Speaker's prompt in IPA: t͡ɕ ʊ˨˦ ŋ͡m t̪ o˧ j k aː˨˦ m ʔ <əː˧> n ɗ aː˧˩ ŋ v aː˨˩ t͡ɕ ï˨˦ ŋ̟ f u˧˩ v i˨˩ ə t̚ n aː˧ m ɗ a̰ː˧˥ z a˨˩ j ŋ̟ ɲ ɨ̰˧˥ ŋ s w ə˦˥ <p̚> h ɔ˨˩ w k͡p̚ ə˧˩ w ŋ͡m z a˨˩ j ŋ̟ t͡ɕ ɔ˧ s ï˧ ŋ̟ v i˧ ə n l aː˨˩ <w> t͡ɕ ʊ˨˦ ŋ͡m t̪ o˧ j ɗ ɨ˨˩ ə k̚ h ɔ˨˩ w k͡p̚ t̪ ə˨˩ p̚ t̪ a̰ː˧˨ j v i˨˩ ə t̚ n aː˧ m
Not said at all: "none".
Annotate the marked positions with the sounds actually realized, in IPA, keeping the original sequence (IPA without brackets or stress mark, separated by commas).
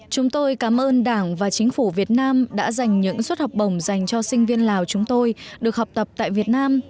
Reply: əː˧, t̚, w